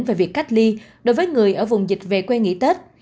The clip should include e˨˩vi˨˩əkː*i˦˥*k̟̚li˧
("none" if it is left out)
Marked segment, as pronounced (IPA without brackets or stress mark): a˦˥